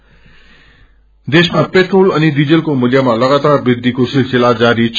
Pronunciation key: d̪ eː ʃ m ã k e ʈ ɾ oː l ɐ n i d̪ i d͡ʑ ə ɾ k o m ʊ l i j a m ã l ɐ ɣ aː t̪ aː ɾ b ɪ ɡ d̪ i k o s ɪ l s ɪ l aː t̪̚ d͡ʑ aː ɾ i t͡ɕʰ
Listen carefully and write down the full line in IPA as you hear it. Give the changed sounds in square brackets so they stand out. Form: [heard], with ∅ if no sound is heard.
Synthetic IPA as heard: d̪ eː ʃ m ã [p] e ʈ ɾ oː l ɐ n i d̪ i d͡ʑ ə [l] k o m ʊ l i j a m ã l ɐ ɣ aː t̪ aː ɾ b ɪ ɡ d̪ i k o s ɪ l s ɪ l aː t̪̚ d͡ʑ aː ɾ i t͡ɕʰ